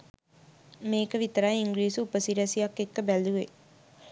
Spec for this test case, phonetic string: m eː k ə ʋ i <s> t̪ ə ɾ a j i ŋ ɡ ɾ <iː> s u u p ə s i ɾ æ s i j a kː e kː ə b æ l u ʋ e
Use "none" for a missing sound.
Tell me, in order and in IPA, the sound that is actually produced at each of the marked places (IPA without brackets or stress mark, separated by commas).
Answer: none, iː